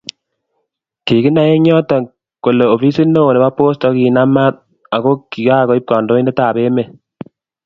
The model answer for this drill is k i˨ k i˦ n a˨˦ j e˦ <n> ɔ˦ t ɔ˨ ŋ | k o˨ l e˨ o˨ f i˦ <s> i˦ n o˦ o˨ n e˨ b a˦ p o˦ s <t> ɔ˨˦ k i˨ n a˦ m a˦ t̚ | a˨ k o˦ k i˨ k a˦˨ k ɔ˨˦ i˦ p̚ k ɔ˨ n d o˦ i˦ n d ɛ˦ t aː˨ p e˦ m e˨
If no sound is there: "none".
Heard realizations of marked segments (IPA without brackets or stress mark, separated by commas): ɲ, s, t